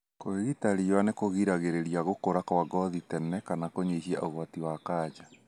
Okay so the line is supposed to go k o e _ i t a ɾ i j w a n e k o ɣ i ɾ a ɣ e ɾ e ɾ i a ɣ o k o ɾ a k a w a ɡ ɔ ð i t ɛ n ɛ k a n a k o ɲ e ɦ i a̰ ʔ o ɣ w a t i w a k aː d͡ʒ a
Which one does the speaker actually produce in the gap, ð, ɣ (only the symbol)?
ɣ